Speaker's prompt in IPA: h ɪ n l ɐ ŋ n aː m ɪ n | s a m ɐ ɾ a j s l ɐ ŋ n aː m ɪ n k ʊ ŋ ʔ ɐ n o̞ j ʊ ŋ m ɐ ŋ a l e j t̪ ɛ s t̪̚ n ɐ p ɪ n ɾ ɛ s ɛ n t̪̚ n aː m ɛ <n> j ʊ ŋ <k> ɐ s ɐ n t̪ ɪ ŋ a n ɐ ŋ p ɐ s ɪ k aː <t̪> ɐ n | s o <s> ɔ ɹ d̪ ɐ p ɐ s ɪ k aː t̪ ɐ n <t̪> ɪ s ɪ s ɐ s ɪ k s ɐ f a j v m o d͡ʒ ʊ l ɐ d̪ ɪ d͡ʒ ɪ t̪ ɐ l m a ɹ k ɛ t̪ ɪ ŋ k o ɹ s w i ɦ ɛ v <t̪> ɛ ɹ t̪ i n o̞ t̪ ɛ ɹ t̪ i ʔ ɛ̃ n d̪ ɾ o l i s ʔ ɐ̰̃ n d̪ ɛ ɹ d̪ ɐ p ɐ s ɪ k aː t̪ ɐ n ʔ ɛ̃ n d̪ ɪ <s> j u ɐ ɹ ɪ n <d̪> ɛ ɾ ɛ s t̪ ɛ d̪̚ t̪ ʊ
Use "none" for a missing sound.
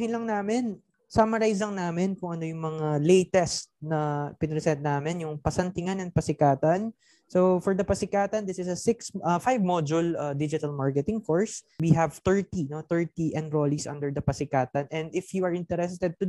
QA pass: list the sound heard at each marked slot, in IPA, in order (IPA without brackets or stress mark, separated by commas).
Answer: n, p, t̪, f, d̪, t̪, f, t̪